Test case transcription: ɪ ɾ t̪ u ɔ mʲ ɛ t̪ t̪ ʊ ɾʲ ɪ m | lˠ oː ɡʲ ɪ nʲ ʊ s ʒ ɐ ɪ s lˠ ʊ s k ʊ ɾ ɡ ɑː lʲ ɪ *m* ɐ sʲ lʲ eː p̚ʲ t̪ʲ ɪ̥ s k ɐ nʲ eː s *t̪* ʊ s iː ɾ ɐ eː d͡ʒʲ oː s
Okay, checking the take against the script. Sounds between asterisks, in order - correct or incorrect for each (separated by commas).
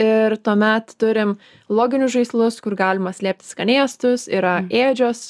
correct, correct